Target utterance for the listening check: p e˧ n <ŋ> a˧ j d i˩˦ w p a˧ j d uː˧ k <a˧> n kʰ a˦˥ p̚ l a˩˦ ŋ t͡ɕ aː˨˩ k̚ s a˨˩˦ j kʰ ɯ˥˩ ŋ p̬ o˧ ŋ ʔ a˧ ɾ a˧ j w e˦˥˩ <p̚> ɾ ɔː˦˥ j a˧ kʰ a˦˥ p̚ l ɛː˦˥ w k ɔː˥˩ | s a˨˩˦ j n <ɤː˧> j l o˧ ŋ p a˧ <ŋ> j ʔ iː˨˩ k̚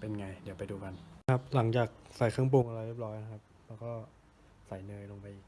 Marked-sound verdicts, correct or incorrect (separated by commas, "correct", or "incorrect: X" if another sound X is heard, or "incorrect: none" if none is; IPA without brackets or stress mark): correct, correct, correct, correct, incorrect: none